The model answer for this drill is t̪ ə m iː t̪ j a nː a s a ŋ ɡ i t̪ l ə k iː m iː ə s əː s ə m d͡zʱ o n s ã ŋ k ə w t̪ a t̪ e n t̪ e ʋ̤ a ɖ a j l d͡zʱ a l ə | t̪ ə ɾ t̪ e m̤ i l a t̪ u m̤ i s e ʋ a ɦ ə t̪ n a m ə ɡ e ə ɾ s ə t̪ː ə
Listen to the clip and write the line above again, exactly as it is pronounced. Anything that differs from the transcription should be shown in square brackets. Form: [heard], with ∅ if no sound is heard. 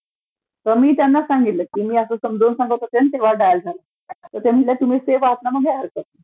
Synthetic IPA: t̪ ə m iː t̪ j a nː a s a ŋ ɡ i t̪ l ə k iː m iː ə s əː s ə m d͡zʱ o n s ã ŋ [ɡ] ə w t̪ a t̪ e n t̪ e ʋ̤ a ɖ a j l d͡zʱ a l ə | t̪ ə ɾ t̪ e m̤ i l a t̪ u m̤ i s e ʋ a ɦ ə t̪ n a m ə ɡ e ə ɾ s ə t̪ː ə